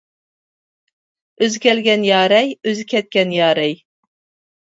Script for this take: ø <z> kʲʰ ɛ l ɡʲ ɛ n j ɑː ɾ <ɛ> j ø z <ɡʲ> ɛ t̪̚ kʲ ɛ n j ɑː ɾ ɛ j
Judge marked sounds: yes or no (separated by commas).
yes, yes, no